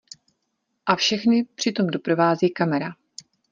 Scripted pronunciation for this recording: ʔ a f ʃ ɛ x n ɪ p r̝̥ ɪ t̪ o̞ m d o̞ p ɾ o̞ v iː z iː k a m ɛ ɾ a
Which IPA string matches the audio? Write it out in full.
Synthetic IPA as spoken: ʔ a f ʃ ɛ x n ɪ p r̝̥ ɪ t̪ o̞ m d o̞ p ɾ o̞ v aː z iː k a m ɛ ɾ a